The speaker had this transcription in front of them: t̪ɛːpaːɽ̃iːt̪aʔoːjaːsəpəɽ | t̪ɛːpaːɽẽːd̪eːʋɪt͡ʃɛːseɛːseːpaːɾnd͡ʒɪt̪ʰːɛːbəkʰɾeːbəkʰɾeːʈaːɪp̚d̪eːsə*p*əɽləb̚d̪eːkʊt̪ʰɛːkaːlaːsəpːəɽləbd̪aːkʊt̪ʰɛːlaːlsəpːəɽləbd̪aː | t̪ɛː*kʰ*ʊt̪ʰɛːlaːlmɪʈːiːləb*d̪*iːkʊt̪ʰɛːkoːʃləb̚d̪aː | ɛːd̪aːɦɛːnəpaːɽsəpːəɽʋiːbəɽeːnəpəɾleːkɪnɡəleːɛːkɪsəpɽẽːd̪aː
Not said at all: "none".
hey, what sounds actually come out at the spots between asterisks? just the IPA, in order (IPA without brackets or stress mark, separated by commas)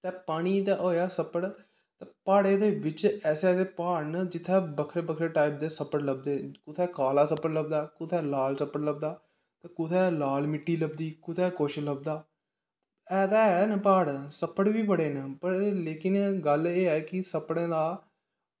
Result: p, k, d̪